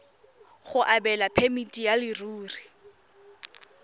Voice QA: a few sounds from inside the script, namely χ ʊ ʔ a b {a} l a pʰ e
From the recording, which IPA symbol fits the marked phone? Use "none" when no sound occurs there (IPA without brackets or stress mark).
ɛ